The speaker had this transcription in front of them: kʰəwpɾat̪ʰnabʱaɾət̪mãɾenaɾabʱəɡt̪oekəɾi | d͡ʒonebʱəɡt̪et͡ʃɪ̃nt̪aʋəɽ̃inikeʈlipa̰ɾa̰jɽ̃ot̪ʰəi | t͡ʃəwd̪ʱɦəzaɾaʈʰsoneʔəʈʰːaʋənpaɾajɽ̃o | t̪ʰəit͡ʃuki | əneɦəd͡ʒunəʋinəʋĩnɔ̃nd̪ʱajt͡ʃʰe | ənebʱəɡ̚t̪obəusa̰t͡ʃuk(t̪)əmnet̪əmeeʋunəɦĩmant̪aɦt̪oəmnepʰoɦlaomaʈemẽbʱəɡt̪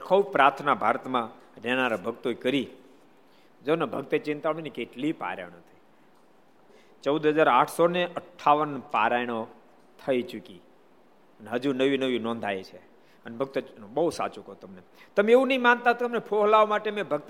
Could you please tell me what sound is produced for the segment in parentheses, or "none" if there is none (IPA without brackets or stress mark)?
t̪